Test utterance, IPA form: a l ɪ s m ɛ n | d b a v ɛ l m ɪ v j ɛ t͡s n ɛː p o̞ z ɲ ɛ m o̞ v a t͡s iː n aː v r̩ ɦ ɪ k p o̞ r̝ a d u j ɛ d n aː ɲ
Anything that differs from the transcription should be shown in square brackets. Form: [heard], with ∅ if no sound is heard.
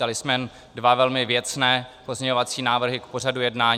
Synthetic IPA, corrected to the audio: a l ɪ s m ɛ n | d [v] a v ɛ l m ɪ v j ɛ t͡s n ɛː p o̞ z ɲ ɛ [ɲ] o̞ v a t͡s iː n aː v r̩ ɦ ɪ k p o̞ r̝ a d u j ɛ d n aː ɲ